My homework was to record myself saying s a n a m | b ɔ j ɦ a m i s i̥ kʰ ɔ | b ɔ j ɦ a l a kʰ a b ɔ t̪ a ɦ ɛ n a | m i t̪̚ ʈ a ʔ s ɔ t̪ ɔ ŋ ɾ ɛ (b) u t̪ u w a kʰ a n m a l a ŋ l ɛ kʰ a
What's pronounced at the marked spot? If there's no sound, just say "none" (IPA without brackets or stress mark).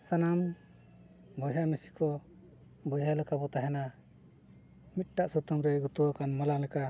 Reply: ɡ